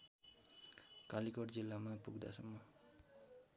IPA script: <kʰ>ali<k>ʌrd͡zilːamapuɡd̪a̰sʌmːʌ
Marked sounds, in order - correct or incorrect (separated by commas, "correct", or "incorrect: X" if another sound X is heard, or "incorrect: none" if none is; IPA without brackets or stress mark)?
incorrect: k, correct